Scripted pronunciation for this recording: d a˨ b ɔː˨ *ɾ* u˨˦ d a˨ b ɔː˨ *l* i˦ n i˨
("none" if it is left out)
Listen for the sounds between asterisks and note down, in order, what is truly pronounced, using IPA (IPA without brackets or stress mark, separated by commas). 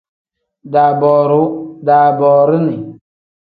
ɾ, ɾ